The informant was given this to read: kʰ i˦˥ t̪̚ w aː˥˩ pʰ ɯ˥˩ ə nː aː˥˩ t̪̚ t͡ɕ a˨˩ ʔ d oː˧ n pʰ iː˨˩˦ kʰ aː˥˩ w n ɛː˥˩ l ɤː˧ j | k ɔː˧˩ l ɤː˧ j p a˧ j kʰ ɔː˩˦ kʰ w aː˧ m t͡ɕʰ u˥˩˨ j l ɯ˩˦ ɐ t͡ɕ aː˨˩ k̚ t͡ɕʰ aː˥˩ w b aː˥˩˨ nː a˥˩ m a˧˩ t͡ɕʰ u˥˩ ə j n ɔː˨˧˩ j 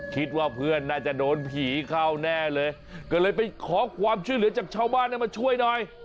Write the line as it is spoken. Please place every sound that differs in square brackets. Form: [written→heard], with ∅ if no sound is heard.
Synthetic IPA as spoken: kʰ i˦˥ t̪̚ w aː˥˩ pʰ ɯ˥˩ ə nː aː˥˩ [t̪̚→∅] t͡ɕ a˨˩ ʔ d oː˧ n pʰ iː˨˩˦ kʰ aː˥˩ w n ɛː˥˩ l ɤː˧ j | k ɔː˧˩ l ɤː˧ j p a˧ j kʰ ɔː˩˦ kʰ w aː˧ m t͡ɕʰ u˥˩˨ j l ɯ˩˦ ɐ t͡ɕ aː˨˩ k̚ t͡ɕʰ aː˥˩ w b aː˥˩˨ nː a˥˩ m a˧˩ t͡ɕʰ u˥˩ ə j n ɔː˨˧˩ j